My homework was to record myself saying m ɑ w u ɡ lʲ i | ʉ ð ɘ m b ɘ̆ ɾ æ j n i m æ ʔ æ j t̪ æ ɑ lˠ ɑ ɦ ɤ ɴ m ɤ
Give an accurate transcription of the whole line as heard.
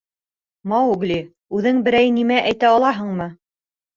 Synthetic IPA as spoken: m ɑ w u ɡ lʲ i | ʉ ð ɘ ŋ b ɘ̆ ɾ æ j n i m æ ʔ æ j t̪ æ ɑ lˠ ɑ ɦ ɤ ɴ m ɤ